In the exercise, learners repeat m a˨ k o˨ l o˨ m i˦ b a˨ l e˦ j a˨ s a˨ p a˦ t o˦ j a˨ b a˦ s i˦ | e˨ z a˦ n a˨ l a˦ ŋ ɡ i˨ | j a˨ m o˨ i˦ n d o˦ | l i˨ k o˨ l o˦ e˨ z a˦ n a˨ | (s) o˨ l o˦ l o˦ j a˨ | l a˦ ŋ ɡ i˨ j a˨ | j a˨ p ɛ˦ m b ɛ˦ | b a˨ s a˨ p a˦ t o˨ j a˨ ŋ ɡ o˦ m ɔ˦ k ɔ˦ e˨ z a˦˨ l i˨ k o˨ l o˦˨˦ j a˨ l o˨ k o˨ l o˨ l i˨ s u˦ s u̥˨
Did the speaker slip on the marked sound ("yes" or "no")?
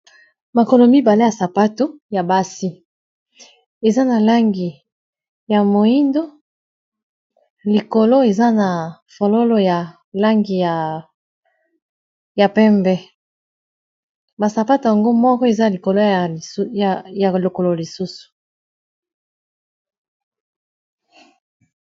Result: yes